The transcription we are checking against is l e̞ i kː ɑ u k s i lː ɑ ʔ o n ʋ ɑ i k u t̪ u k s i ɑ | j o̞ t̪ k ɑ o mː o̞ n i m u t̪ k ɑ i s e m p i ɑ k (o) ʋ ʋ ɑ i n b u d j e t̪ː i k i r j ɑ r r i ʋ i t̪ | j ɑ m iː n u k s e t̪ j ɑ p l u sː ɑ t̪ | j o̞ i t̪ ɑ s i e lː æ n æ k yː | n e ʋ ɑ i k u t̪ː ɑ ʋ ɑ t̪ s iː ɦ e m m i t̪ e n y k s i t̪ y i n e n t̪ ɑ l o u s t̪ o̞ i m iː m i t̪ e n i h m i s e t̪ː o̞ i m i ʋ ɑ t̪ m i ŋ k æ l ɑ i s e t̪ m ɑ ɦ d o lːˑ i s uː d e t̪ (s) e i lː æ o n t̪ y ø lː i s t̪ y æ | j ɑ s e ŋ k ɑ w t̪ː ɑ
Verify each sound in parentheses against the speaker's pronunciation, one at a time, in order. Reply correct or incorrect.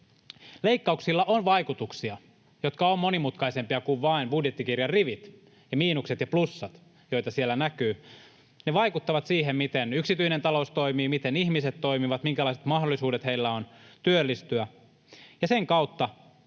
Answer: incorrect: u, incorrect: h

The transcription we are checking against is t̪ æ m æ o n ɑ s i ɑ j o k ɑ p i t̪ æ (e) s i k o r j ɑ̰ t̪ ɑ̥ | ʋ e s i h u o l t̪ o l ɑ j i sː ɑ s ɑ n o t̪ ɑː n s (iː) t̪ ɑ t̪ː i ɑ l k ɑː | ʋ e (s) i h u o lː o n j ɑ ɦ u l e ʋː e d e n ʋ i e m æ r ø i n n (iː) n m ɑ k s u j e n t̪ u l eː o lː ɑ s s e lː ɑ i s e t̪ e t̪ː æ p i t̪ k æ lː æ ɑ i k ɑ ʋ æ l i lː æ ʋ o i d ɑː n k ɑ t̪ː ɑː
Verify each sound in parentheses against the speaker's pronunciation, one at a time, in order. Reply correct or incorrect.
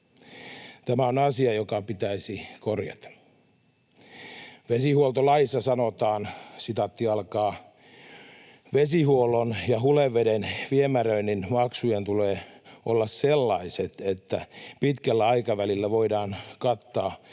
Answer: incorrect: i, incorrect: i, correct, incorrect: i

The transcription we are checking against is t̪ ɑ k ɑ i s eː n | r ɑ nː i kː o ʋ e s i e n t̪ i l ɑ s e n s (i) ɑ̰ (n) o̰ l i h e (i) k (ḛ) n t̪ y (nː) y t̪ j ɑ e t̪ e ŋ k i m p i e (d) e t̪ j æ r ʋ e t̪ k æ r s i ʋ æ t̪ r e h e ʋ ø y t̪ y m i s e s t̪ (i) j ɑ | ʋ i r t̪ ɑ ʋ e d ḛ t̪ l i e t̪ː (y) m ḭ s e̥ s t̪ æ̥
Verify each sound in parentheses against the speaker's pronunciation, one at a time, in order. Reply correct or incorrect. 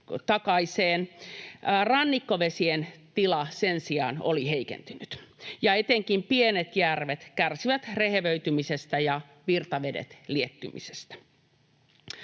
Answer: correct, correct, correct, correct, incorrect: n, incorrect: n, incorrect: æ, correct

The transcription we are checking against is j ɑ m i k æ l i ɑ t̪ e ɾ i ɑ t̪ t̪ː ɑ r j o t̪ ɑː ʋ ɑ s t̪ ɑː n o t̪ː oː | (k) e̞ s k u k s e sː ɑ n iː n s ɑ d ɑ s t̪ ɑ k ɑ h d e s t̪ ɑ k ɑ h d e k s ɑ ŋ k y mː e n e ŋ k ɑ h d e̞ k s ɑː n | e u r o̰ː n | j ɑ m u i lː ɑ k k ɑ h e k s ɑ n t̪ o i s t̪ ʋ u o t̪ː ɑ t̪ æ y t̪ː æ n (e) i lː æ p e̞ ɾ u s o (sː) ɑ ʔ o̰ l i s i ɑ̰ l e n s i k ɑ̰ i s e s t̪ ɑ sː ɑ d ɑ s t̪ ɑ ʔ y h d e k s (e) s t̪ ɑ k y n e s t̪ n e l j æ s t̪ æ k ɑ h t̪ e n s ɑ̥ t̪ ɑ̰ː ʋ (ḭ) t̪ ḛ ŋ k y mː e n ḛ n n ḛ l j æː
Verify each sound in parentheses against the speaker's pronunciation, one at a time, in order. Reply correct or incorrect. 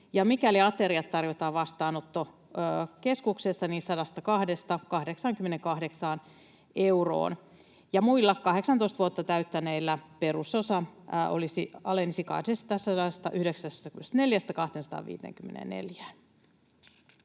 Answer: correct, correct, incorrect: s, incorrect: æ, incorrect: ḭː

